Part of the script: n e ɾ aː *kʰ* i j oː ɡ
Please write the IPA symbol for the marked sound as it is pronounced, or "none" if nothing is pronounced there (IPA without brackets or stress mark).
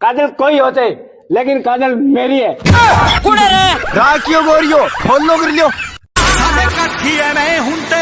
k